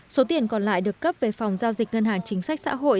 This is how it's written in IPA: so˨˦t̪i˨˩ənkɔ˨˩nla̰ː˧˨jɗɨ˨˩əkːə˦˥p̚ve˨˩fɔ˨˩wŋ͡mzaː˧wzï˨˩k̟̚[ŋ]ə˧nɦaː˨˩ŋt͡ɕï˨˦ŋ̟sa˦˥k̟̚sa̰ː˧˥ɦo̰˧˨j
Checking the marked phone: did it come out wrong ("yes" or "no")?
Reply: no